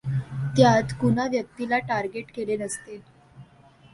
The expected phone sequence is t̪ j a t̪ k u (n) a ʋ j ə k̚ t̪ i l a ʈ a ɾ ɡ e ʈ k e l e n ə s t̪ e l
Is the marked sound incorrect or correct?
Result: correct